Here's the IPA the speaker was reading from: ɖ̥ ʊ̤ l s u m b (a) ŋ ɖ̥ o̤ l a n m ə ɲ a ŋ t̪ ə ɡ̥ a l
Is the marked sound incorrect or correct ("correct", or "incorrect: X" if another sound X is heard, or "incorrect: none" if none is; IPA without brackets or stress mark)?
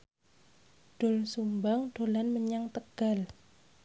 correct